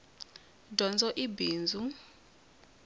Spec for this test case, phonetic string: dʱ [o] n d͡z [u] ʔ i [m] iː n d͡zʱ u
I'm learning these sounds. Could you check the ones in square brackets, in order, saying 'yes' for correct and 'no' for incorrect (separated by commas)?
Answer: no, no, no